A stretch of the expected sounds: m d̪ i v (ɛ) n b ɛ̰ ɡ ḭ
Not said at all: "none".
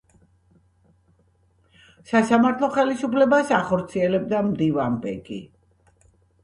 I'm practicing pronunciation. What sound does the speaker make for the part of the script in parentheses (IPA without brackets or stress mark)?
a